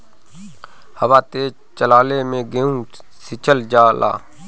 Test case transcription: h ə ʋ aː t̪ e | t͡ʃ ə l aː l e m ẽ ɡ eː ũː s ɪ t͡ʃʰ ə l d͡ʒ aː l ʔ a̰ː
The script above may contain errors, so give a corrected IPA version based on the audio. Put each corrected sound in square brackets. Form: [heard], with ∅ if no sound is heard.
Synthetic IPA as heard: h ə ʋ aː t̪ e | t͡ʃ ə l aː l e m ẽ ɡ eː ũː s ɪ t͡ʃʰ ə l d͡ʒ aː l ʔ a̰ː